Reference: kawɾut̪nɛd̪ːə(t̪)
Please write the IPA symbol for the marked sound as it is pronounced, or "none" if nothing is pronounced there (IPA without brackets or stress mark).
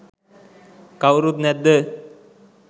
none